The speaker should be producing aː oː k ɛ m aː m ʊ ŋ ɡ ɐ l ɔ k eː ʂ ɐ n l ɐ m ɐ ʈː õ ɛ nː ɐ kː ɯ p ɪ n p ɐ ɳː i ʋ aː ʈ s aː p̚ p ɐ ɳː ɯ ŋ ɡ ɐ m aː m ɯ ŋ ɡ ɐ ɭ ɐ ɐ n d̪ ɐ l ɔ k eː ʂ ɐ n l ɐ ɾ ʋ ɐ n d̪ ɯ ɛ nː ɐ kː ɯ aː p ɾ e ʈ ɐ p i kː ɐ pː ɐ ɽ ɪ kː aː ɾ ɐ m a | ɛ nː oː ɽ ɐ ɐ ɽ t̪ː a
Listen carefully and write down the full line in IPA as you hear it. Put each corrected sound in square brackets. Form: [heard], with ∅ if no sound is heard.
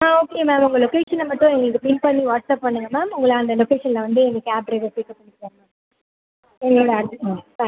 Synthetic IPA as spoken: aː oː k [e] m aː m ʊ ŋ ɡ ɐ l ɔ k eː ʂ ɐ n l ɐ m ɐ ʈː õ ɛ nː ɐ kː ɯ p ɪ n p ɐ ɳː i ʋ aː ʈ s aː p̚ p ɐ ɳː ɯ ŋ ɡ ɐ m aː m [ʊ] ŋ ɡ ɐ ɭ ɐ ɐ n d̪ ɐ l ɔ k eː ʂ ɐ n l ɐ [∅] ʋ ɐ n d̪ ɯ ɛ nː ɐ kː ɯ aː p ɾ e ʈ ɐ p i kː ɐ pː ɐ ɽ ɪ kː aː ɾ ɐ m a | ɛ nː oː ɽ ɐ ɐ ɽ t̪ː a